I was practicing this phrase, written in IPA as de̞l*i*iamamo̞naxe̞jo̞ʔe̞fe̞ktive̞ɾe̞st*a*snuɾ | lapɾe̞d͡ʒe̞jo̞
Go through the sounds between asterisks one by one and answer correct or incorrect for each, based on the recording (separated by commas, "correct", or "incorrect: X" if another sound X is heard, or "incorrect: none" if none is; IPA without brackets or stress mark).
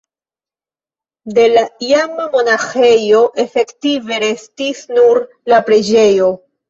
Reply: incorrect: a, incorrect: i